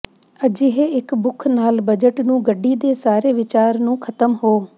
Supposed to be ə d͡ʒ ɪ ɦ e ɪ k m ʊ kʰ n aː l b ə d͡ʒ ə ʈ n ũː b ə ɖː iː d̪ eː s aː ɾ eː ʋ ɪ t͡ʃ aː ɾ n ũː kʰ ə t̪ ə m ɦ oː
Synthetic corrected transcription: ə d͡ʒ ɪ ɦ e ɪ k b ʊ kʰ n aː l b ə d͡ʒ ə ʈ n ũː ɡ ə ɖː iː d̪ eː s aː ɾ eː ʋ ɪ t͡ʃ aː ɾ n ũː kʰ ə t̪ ə m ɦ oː